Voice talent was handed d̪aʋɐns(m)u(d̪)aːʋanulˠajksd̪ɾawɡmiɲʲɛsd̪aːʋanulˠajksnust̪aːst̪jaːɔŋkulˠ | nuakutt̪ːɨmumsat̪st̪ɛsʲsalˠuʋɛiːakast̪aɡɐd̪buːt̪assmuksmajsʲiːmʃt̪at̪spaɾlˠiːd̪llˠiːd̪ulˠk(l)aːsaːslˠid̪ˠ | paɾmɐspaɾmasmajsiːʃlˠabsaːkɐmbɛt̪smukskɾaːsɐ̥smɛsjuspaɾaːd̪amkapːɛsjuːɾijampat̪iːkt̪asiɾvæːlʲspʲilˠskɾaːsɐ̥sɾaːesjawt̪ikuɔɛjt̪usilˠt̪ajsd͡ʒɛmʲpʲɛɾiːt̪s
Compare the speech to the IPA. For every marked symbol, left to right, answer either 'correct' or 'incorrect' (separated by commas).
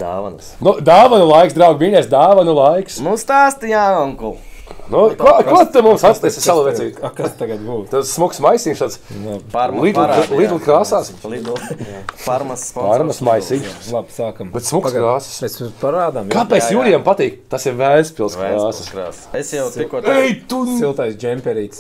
incorrect, correct, incorrect